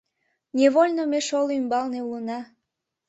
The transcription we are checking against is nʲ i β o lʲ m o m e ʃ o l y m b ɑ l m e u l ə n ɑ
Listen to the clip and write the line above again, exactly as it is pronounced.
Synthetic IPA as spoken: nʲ e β o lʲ n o m e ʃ o l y m b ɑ l n e u l ə n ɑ